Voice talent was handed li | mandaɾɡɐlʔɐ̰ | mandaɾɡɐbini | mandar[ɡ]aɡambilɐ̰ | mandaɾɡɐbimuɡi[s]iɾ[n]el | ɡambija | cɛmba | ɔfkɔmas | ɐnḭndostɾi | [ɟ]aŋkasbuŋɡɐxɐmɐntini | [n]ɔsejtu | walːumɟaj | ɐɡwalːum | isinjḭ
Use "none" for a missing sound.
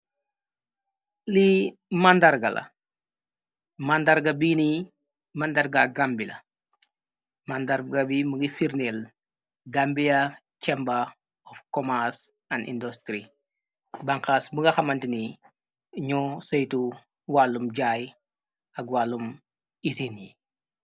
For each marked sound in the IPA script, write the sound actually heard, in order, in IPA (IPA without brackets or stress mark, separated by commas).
ɡ, f, n, b, ɲ